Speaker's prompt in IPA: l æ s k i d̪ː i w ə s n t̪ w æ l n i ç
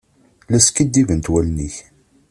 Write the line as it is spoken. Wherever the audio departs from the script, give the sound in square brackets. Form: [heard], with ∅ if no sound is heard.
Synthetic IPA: l æ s k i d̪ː i [v] ə [∅] n t̪ w æ l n i ç